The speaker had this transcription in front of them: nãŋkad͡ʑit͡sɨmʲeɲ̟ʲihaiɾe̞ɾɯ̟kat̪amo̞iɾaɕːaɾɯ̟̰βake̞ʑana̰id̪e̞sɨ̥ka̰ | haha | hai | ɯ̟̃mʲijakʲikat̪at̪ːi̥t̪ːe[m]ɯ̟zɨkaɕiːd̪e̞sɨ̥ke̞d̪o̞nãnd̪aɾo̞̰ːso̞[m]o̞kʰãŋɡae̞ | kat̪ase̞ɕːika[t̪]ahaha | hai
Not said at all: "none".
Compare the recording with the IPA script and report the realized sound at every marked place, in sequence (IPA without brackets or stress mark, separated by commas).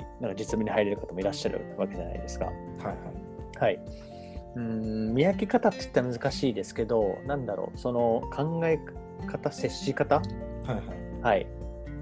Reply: m, n, t̪